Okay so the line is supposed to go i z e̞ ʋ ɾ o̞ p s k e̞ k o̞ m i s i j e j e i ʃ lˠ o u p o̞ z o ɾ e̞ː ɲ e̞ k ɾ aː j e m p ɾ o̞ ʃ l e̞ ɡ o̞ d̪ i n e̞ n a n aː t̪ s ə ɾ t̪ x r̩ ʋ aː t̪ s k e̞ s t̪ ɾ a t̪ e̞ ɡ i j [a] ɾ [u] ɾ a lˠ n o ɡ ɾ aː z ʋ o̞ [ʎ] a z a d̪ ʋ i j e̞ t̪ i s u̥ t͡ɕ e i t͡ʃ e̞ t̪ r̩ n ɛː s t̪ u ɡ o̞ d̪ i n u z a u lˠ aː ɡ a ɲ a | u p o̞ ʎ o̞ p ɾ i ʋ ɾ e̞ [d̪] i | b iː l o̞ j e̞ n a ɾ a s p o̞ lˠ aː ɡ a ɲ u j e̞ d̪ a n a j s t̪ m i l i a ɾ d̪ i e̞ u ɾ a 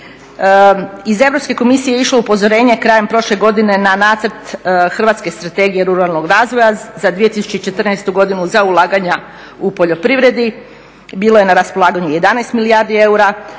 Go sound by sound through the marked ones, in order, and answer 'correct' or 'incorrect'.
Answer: incorrect: e, correct, incorrect: j, correct

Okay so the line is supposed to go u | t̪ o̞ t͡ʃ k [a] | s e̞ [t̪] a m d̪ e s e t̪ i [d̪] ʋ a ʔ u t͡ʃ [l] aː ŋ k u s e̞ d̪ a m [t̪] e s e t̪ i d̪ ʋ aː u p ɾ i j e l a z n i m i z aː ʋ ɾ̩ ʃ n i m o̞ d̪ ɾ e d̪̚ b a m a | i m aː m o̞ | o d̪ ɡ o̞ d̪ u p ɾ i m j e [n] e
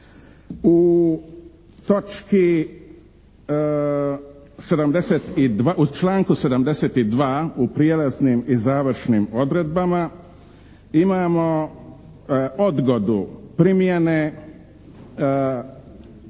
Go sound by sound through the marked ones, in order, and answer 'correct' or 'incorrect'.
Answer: incorrect: i, incorrect: d̪, correct, correct, incorrect: d̪, correct

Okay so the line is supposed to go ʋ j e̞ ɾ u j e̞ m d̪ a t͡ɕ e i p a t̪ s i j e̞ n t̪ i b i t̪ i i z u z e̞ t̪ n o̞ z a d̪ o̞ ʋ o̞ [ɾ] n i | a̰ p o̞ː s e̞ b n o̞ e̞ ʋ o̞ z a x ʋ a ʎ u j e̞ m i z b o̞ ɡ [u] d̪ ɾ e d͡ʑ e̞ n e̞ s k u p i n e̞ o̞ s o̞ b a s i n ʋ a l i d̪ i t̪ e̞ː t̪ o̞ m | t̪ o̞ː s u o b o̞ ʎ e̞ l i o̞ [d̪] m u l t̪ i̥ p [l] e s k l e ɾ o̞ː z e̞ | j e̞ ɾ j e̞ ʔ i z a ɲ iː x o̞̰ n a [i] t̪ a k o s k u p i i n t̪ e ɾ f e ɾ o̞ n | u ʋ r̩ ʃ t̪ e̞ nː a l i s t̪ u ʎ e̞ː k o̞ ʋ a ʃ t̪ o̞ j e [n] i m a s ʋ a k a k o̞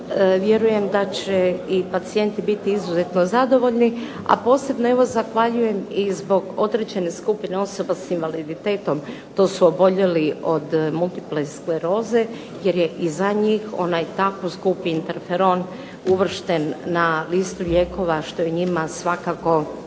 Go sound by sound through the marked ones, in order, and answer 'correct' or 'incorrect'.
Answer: incorrect: ʎ, incorrect: o, correct, correct, incorrect: j, incorrect: ɲ

